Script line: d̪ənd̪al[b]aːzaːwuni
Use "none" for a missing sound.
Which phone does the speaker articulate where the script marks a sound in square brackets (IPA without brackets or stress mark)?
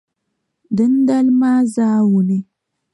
m